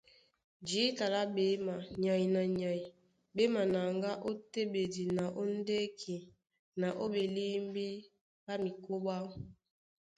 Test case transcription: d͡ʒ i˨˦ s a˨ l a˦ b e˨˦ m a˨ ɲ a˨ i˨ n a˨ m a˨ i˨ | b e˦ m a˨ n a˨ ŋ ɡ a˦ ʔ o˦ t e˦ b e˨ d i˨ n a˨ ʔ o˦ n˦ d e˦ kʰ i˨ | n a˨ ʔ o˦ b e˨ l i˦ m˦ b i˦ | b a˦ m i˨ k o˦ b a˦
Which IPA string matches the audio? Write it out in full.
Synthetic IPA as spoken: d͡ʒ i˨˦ t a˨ l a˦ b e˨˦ m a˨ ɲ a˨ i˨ n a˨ ɲ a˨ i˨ | b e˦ m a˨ n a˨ ŋ ɡ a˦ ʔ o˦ t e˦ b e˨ d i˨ n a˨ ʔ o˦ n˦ d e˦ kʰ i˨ | n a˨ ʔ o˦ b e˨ l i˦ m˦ b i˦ | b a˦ m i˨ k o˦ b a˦